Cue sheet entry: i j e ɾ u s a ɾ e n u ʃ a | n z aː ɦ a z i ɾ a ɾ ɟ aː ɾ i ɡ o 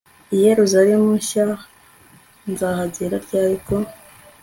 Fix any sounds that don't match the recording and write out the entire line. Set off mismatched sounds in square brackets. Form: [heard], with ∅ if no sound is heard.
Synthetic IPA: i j e ɾ u [z] a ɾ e [m] u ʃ a | n z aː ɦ a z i ɾ a ɾ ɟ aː ɾ i [k] o